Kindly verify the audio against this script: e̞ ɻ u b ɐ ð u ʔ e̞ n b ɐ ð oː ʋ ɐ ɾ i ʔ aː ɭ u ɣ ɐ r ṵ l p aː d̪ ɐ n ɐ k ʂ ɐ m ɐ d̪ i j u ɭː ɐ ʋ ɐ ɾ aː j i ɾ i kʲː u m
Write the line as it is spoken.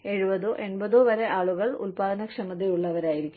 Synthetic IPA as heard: e̞ ɻ u b ɐ ð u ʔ e̞ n b ɐ ð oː ʋ ɐ ɾ e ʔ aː ɭ u ɣ ɐ ɭ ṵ l p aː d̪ ɐ n ɐ k ʂ ɐ m ɐ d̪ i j u ɭː ɐ ʋ ɐ ɾ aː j i ɾ i kʲː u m